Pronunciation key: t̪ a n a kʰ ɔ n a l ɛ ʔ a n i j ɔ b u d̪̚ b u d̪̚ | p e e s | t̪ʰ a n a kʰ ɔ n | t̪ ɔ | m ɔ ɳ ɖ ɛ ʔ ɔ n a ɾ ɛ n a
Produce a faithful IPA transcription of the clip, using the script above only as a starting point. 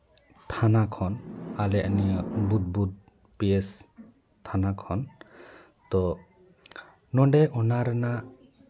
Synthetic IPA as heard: t̪ʰ a n a kʰ ɔ n a l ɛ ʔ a n i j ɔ b u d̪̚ b u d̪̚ | p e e s | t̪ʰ a n a kʰ ɔ n | t̪ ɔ | n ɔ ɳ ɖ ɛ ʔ ɔ n a ɾ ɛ n a